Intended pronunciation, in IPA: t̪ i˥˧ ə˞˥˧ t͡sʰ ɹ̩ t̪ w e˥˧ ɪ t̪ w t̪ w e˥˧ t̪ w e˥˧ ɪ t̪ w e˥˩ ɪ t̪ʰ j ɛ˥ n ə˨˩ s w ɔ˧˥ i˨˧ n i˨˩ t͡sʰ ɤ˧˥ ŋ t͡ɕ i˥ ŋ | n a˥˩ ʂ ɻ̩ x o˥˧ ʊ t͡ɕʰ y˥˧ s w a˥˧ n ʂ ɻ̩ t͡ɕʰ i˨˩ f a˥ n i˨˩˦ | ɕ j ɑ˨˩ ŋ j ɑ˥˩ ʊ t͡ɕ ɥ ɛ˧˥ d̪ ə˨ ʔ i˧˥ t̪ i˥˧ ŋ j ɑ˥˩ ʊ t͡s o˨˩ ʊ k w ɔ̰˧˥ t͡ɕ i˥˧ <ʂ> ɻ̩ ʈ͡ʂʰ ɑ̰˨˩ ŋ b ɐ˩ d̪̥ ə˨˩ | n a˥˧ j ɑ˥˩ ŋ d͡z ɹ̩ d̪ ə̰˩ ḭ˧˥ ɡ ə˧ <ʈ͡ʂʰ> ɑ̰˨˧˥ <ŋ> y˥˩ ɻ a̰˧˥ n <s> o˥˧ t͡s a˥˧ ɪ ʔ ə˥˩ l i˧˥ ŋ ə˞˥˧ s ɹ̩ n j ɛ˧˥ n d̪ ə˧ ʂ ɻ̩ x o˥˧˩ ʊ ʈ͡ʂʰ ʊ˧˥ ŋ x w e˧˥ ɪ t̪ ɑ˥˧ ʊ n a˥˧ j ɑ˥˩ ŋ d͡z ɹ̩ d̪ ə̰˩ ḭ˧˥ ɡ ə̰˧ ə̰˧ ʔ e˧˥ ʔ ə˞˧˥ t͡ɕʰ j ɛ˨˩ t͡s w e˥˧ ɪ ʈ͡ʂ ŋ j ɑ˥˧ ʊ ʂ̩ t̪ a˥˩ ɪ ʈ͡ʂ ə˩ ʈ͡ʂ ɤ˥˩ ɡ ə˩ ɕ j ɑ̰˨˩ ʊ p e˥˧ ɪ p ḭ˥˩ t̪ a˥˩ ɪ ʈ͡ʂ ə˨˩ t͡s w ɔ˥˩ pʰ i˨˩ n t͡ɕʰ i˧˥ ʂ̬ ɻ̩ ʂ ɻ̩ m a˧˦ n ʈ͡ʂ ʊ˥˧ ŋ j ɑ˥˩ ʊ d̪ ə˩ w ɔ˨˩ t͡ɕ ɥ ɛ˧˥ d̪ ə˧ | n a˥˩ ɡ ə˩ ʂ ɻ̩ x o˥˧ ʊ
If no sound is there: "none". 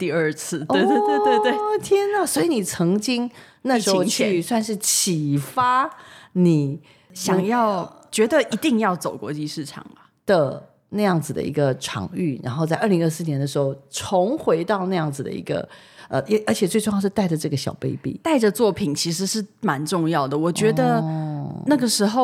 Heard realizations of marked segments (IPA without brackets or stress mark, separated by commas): ʂ, ʈ͡ʂʰ, ŋ, x